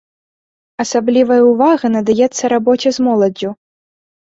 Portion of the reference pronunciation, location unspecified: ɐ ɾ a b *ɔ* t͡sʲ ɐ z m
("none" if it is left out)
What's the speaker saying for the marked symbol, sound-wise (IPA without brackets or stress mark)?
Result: ɔ